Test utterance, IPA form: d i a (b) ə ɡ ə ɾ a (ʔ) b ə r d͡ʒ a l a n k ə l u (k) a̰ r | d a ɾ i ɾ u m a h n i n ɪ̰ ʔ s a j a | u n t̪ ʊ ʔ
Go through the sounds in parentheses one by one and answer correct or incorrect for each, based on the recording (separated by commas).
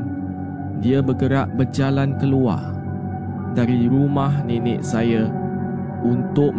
correct, correct, incorrect